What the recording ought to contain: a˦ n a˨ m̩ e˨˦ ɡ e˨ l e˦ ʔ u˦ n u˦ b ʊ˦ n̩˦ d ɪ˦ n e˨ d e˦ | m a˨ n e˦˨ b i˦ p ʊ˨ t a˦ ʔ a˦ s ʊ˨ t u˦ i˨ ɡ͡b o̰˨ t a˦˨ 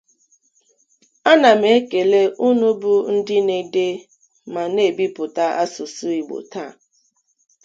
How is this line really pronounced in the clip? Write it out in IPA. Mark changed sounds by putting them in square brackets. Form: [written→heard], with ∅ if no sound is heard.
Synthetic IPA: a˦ n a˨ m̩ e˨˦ [ɡ→k] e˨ l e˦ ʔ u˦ n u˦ b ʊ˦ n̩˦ d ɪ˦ n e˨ d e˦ | m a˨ n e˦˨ b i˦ p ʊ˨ t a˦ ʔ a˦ s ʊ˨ [t→s] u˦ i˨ ɡ͡b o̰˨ t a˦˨